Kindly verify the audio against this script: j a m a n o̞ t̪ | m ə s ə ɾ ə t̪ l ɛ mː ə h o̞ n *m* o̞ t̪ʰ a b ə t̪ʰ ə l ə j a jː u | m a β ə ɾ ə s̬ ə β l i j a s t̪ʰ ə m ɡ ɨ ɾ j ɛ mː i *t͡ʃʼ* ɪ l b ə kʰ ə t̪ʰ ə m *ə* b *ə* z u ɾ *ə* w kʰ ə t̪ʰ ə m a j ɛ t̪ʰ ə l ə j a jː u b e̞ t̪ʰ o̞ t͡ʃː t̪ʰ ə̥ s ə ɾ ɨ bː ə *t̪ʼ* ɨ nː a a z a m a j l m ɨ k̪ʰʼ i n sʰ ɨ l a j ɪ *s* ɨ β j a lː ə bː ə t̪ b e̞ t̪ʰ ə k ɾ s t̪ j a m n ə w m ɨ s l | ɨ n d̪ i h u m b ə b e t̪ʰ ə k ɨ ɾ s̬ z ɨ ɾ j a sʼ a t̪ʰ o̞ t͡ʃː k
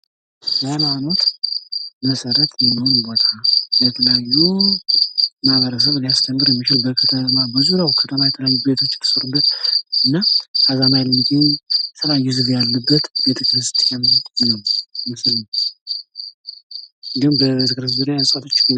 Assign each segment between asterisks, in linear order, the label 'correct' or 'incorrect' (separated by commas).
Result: incorrect, incorrect, incorrect, correct, incorrect, incorrect, incorrect